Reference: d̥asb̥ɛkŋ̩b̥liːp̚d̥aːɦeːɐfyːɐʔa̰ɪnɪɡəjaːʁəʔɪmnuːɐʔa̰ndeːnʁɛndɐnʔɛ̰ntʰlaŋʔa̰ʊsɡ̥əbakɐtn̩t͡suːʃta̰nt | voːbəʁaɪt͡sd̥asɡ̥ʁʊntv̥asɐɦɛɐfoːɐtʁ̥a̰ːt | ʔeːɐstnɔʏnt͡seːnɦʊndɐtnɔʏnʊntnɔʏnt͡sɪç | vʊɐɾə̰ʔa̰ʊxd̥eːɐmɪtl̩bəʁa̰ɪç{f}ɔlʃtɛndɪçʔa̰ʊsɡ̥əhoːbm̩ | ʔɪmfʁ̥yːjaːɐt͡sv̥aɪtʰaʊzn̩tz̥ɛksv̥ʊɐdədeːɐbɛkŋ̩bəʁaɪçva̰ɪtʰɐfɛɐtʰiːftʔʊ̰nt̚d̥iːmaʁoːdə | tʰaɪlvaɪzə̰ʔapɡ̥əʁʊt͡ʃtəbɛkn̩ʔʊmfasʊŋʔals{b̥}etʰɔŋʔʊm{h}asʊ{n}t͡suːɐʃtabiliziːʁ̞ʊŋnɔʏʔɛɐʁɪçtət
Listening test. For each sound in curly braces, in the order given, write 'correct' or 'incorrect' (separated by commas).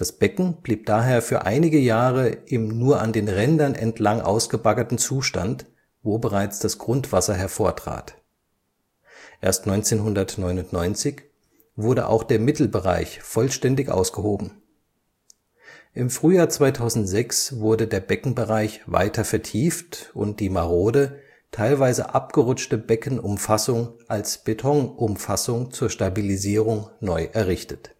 correct, correct, incorrect, incorrect